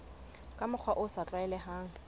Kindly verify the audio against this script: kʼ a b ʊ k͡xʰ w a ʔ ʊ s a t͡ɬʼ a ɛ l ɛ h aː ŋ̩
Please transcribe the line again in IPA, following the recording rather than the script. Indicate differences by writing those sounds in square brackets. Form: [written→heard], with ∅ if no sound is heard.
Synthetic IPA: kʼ a [b→m] ʊ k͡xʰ w a ʔ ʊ s a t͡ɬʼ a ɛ l ɛ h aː ŋ̩